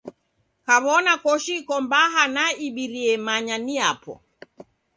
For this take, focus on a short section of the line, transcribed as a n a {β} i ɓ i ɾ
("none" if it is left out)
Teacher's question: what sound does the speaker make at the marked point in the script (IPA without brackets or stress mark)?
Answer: none